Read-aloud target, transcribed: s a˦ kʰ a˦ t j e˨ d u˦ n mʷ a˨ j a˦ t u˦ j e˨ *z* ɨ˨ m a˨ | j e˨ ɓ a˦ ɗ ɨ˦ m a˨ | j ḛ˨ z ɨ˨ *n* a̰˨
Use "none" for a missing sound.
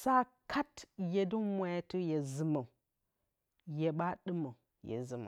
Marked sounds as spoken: z, m

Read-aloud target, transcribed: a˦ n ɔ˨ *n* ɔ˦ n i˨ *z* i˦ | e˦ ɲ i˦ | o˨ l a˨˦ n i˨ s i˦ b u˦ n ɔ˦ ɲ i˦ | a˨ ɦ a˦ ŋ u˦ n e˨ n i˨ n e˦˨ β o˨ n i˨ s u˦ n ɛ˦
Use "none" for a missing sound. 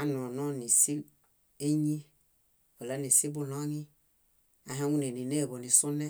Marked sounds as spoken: n, s

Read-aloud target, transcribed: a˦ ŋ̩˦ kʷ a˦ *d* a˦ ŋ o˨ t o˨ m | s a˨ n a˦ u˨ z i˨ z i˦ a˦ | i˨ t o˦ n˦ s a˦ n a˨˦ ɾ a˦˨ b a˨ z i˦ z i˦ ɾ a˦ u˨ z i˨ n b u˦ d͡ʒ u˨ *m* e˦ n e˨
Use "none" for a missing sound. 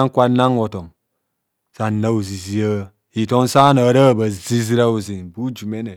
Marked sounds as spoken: n, m

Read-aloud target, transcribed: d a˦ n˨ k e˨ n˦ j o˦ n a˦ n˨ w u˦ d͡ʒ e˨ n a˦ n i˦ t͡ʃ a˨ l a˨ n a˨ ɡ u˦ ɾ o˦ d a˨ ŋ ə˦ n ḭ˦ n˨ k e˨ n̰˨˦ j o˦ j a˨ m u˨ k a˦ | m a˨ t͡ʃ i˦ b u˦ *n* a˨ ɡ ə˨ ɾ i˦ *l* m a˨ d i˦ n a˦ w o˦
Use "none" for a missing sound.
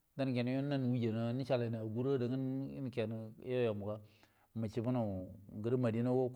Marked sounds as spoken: n, none

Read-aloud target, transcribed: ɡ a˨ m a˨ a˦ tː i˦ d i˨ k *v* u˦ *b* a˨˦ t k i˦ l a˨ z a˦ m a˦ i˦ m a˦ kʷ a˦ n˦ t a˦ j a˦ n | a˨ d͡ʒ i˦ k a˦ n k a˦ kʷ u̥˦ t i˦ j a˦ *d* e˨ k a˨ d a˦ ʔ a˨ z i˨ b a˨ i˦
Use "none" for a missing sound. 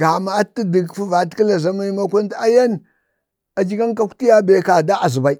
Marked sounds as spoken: f, v, b

